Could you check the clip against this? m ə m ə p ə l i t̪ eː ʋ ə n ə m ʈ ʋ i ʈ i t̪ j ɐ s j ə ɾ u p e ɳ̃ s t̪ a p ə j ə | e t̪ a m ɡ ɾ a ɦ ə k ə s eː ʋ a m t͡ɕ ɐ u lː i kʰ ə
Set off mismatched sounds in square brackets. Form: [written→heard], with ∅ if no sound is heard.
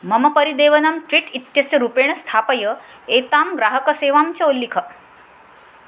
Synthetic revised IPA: m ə m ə p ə [l→ɾ] i [t̪→d̪] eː ʋ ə n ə m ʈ ʋ i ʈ i t̪ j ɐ s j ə ɾ u p e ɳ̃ s [t̪→t̪ʰ] a p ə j ə | e t̪ a m ɡ ɾ a ɦ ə k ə s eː ʋ a m t͡ɕ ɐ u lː i kʰ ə